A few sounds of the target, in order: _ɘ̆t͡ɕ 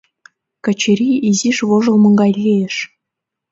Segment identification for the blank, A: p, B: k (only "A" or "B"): B